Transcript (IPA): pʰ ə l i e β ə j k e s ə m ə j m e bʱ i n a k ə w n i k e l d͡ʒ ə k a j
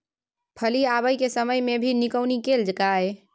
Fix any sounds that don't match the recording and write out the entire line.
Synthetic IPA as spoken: pʰ ə l i a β ə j k e s ə m ə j m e bʱ i n i k ə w n i k e l d͡ʒ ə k a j

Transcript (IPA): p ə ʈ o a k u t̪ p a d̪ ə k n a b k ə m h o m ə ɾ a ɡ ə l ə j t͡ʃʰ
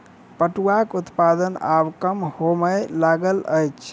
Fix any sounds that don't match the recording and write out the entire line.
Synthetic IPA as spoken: p ə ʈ u a k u t̪ p a d̪ ə n a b k ə m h o m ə l a ɡ ə l ə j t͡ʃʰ

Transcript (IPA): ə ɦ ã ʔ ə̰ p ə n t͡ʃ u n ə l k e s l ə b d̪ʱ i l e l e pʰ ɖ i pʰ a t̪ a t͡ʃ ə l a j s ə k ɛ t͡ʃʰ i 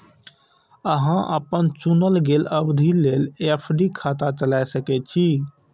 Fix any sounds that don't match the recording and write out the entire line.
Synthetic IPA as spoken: ə ɦ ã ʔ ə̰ p ə n t͡ʃ u n ə l ɡ e l ə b d̪ʱ i l e l e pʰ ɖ i kʰ a t̪ a t͡ʃ ə l a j s ə k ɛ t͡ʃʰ i

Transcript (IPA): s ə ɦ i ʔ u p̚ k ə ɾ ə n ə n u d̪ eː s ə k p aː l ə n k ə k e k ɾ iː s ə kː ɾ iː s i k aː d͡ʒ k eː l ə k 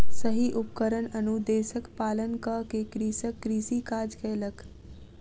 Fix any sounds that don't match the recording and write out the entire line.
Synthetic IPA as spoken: s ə ɦ i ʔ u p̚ k ə ɾ ə n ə n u d̪ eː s ə k p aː l ə n k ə k e k ɾ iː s ə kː ɾ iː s i k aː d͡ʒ k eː l ə k

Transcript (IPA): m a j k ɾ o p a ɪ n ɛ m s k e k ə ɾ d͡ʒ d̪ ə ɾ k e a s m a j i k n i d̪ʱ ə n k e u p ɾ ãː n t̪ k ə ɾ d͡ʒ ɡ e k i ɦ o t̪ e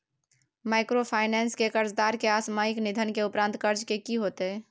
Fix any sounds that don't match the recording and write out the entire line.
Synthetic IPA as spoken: m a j k ɾ o pʰ a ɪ n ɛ n s k e k ə ɾ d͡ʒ d̪ a ɾ k e a s m a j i k n i d̪ʱ ə n k e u p ɾ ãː n t̪ k ə ɾ d͡ʒ k e k i ɦ o t̪ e

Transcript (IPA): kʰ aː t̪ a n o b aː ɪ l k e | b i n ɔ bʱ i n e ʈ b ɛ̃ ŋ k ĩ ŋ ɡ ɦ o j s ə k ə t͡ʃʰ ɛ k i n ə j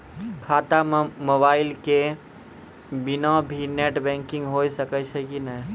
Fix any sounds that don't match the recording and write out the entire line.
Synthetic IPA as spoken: kʰ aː t̪ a m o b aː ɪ l k e | b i n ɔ bʱ i n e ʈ b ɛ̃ ŋ k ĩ ŋ ɡ ɦ o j s ə k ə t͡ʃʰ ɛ k i n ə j

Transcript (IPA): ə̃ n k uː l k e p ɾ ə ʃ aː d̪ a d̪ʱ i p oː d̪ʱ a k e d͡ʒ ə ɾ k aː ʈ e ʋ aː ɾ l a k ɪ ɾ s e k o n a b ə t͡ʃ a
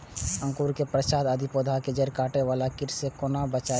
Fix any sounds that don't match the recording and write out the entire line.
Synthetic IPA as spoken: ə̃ ŋ k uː ɾ k e p ɾ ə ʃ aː d̪ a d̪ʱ i p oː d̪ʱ a k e d͡ʒ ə ɾ k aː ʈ e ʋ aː l a k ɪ ɾ s e k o n a b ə t͡ʃ a

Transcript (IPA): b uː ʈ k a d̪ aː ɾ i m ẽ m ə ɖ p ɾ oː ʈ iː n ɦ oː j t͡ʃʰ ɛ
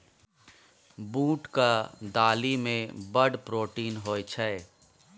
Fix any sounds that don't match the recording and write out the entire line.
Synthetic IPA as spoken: b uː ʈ k a d̪ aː l i m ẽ b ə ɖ p ɾ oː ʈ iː n ɦ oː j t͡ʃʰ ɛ

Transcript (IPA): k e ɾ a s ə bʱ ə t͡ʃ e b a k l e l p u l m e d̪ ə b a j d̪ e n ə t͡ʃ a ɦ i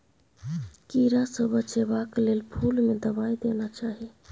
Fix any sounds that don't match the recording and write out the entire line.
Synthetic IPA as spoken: k i ɾ a s ə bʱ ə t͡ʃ e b a k l e l pʰ u l m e d̪ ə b a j d̪ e n a t͡ʃ a ɦ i

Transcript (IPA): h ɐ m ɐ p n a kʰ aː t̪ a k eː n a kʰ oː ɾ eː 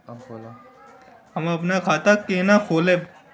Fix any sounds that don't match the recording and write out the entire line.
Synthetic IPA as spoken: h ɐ m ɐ p n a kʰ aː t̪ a k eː n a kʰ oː l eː

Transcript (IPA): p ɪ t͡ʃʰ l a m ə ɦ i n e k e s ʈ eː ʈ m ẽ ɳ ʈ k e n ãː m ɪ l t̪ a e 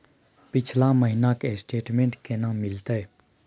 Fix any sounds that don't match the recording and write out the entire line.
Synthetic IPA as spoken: p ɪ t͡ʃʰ l a m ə ɦ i n a k e s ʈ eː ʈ m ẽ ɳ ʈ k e n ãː m ɪ l t̪ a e

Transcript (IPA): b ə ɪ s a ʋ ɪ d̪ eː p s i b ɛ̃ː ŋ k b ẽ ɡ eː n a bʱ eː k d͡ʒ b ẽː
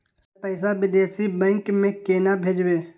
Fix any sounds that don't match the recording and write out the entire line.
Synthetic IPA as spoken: p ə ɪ s a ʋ ɪ d̪ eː s i b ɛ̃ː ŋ k m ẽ k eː n a bʱ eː d͡ʒ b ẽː

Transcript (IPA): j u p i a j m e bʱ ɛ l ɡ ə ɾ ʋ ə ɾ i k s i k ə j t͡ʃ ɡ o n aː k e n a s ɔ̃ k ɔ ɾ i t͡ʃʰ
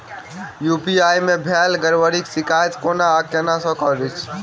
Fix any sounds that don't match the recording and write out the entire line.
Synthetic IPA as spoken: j u p i a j m e bʱ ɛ l ɡ ə ɾ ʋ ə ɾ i k s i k a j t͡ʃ k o n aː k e n a s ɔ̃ k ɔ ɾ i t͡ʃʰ

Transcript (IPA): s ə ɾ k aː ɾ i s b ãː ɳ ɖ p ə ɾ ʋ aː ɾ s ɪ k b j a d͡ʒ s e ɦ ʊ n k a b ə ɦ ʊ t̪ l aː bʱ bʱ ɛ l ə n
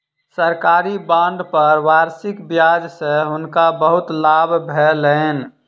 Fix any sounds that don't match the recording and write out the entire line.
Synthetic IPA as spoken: s ə ɾ k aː ɾ i b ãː ɳ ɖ p ə ɾ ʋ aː ɾ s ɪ k b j a d͡ʒ s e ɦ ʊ n k a b ə ɦ ʊ t̪ l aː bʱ bʱ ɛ l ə n

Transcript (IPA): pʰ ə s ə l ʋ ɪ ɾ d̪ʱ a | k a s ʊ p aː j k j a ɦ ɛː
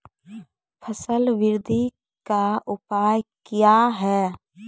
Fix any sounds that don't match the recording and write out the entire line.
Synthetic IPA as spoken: pʰ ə s ə l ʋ ɪ ɾ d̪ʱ i | k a ʊ p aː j k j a ɦ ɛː

